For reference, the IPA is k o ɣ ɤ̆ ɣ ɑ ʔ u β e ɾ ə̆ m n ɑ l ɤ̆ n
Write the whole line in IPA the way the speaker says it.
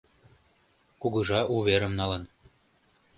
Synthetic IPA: k u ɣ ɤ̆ ʒ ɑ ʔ u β e ɾ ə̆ m n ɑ l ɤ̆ n